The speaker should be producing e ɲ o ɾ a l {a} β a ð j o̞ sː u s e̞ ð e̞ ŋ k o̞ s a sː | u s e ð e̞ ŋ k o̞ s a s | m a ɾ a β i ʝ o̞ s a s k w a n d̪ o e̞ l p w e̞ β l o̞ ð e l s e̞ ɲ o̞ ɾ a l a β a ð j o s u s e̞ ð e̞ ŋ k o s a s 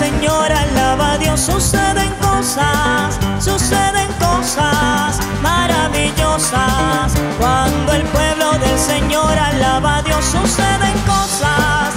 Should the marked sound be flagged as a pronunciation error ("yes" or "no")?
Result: no